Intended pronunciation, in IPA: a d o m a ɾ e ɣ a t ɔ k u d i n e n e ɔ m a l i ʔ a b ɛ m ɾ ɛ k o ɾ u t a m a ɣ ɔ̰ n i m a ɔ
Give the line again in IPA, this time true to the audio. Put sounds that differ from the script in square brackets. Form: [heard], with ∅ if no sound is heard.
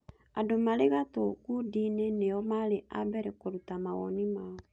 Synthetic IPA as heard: a d o m a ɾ e ɣ a t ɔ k u d i n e n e ɔ m a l [e] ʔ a b ɛ [∅] ɾ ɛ k o ɾ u t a m a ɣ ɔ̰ n i m a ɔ